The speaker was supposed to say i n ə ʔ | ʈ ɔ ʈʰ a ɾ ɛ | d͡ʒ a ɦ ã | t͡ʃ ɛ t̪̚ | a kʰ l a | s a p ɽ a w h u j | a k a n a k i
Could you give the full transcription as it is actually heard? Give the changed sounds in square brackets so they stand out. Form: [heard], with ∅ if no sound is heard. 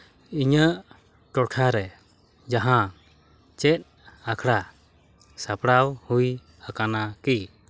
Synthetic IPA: i [ɲ] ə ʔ | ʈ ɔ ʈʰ a ɾ ɛ | d͡ʒ a ɦ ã | t͡ʃ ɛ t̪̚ | a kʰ [ɽ] a | s a p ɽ a w h u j | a k a n a k i